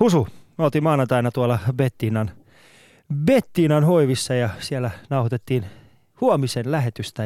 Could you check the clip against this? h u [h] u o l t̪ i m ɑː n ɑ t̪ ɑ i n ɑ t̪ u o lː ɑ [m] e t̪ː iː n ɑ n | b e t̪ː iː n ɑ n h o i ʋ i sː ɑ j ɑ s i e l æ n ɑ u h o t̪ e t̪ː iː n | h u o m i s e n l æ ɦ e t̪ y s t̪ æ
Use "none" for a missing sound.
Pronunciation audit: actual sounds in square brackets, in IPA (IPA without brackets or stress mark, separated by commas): s, b